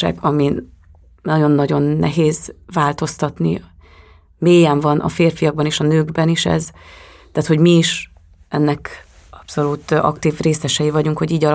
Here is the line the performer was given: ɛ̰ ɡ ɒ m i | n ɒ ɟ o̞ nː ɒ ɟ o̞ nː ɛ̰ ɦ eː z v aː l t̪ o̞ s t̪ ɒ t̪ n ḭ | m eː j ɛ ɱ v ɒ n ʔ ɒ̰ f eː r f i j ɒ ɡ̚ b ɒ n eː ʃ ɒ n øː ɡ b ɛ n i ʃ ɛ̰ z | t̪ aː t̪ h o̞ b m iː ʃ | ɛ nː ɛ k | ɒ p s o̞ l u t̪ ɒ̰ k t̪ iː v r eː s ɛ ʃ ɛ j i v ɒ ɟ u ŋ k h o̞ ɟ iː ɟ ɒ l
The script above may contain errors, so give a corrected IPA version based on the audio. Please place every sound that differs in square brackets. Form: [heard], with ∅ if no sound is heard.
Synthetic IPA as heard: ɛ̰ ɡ ɒ m i | n ɒ ɟ o̞ nː ɒ ɟ o̞ nː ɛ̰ ɦ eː z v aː l t̪ o̞ s t̪ ɒ t̪ n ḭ | m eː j ɛ ɱ v ɒ n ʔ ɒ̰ f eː r f i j ɒ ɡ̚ b ɒ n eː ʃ ɒ n øː ɡ b ɛ n i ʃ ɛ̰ z | t̪ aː t̪ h o̞ [ɟ] m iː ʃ | ɛ nː ɛ k | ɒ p s o̞ l u t̪ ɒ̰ k t̪ iː v r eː s ɛ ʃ ɛ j i v ɒ ɟ u ŋ k h o̞ ɟ iː ɟ ɒ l